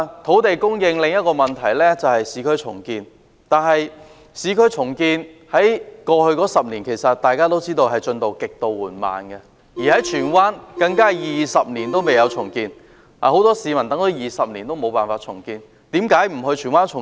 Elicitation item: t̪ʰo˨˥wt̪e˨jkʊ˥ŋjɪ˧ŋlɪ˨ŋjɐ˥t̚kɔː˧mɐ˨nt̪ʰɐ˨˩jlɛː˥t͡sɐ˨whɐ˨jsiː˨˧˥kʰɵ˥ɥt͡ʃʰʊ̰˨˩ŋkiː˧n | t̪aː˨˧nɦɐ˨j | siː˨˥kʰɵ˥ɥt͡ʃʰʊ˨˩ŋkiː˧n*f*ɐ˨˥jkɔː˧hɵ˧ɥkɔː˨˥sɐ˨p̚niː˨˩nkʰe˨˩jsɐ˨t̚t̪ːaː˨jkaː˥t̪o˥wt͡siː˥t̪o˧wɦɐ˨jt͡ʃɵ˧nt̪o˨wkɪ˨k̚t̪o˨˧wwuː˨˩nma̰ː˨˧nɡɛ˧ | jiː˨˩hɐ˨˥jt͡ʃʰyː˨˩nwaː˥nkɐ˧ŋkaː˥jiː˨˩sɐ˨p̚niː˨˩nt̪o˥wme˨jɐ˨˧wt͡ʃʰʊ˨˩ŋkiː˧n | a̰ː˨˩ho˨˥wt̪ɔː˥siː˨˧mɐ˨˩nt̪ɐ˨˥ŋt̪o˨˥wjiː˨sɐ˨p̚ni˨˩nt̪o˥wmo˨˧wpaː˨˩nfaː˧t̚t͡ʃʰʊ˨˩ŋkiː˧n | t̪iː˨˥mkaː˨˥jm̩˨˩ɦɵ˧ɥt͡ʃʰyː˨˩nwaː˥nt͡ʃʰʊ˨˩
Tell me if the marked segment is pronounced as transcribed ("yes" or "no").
no